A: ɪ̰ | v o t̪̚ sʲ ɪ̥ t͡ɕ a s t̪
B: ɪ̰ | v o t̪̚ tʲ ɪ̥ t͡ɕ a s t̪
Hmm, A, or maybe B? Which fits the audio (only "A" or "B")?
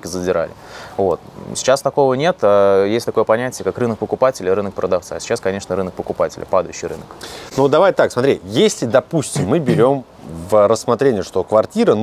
A